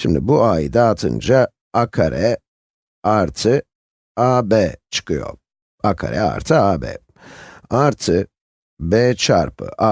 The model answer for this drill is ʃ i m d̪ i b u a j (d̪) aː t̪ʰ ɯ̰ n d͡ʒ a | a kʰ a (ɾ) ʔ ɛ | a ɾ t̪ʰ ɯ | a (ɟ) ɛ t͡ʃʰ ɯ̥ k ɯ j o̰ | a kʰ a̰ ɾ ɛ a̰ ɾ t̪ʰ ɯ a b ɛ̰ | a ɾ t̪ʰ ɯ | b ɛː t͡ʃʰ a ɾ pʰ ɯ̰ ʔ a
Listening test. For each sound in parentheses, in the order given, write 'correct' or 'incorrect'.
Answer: correct, correct, incorrect

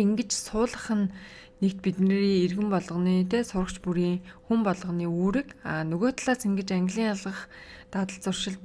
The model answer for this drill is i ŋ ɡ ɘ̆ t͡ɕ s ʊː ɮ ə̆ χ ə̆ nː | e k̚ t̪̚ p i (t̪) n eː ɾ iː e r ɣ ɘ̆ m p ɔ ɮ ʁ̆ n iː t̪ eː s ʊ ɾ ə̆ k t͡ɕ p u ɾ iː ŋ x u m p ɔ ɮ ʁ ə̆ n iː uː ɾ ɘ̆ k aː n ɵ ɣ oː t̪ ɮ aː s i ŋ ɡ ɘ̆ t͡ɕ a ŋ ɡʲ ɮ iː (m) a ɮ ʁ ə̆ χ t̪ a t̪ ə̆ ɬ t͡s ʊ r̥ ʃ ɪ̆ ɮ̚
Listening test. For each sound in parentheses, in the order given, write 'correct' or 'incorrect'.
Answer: correct, incorrect

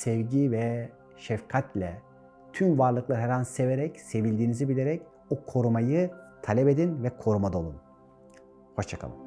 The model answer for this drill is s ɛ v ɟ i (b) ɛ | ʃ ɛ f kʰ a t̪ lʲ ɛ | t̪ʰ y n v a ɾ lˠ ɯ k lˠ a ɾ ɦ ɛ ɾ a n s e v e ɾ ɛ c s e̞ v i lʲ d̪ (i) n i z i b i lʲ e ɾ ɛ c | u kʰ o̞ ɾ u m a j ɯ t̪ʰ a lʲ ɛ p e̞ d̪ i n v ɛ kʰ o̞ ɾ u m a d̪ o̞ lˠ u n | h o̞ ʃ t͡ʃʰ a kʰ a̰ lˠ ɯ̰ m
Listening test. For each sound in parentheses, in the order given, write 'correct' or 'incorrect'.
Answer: incorrect, incorrect

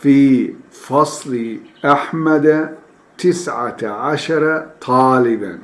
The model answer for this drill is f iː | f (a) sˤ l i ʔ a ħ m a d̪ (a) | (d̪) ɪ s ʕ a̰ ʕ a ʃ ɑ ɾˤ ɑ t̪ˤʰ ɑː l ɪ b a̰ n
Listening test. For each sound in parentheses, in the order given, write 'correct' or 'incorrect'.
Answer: incorrect, correct, incorrect

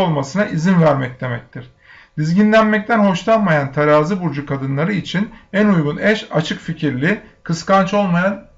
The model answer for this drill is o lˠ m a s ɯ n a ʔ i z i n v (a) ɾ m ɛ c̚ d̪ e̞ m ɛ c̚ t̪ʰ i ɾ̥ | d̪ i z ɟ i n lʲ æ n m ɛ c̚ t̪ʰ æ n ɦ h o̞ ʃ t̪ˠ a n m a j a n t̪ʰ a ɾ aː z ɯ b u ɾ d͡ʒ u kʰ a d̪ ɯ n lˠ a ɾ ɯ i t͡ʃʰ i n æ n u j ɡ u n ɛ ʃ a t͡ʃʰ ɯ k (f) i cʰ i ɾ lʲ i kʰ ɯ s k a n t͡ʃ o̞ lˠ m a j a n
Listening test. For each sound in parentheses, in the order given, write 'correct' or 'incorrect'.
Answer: incorrect, correct

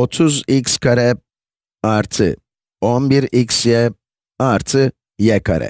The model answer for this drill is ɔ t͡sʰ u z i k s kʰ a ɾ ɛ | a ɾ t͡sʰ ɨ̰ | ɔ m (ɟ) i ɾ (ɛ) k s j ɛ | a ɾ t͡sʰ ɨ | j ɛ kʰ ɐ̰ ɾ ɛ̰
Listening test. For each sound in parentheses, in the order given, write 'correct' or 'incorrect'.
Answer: incorrect, incorrect

